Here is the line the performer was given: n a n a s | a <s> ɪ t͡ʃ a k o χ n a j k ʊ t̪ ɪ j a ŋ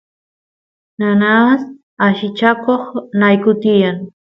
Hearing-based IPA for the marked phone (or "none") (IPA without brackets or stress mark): ʃ